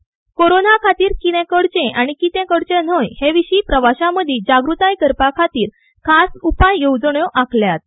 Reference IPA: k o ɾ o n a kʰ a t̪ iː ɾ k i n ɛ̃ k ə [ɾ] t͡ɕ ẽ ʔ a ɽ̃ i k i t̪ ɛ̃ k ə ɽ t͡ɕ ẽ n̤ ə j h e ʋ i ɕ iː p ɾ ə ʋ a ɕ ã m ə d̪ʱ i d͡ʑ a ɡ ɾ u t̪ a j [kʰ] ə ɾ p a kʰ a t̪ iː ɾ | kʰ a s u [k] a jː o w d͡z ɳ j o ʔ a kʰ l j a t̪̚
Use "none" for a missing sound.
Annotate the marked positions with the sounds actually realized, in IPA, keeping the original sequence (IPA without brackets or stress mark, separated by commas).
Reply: ɽ, k, p